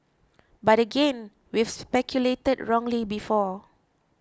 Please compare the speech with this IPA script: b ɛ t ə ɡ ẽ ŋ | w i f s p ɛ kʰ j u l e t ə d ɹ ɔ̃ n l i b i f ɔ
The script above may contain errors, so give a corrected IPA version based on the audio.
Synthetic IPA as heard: b a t ə ɡ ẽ n | w i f s p ɛ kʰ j u l e t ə d ɹ ɔ̃ ŋ l i b i f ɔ